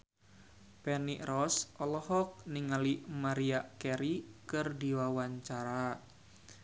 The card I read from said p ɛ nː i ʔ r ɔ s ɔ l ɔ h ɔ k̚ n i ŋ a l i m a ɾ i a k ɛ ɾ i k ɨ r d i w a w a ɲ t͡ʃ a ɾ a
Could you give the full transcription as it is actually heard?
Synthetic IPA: p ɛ n i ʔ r ɔ s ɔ l ɔ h ɔ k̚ n i ŋ a l i m a ɾ i a k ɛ ɾ i k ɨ r d i w a w a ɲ t͡ʃ a ɾ a